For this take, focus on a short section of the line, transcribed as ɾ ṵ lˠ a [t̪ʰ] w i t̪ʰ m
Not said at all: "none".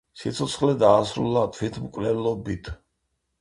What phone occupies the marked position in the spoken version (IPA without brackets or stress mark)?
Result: t̪ʰ